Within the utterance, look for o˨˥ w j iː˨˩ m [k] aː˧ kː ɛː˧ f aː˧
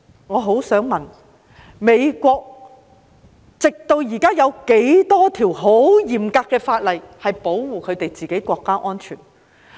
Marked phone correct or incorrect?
correct